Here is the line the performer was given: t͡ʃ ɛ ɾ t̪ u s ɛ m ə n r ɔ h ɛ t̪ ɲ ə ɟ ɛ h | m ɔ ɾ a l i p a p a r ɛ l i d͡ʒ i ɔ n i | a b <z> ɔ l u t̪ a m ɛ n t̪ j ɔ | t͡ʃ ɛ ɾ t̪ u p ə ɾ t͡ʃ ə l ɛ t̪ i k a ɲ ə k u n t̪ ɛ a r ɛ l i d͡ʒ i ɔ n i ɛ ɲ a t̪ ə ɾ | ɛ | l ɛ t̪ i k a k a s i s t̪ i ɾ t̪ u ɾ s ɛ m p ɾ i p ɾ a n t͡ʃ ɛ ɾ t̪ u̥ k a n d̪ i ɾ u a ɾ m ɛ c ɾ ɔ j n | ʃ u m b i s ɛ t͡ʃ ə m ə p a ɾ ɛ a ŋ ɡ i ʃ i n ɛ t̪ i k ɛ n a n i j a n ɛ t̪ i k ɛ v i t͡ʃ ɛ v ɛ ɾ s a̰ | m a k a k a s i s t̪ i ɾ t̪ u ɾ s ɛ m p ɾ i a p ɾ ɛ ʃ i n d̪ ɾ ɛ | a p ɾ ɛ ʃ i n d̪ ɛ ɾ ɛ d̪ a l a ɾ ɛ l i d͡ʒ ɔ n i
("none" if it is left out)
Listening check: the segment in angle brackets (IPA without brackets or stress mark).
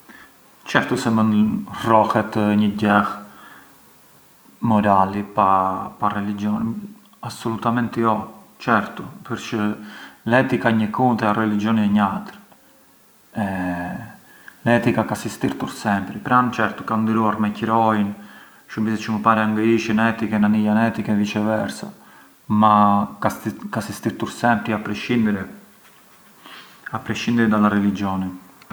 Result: s